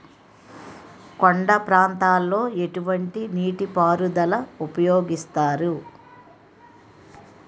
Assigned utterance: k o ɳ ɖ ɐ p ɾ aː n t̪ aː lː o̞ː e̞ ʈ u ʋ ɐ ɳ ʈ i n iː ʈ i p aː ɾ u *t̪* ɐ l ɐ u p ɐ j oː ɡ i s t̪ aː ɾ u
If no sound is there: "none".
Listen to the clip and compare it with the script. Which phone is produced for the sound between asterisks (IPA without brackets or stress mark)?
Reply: d̪